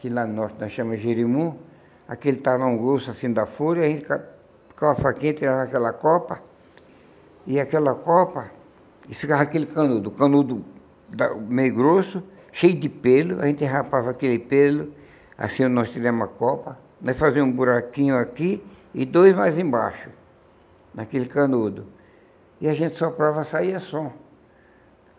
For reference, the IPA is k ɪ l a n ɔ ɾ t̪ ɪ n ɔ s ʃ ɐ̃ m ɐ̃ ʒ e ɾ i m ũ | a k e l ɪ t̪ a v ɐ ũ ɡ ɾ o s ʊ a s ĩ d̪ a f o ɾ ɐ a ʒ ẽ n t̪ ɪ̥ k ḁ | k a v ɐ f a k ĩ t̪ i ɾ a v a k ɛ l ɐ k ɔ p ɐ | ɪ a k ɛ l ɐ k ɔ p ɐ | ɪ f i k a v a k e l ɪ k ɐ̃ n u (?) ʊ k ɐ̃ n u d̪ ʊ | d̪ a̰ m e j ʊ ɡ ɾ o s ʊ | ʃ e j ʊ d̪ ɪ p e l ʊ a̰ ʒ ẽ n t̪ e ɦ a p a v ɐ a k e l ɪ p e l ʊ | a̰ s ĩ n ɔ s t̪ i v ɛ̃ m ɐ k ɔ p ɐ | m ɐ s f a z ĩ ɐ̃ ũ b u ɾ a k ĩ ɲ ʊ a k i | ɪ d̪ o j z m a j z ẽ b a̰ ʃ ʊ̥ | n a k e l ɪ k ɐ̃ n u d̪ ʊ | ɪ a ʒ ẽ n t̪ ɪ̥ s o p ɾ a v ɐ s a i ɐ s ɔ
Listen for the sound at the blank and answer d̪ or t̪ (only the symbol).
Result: d̪